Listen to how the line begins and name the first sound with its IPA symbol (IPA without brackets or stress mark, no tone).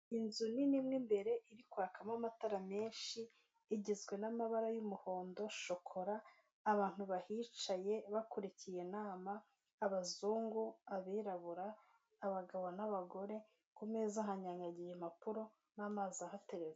i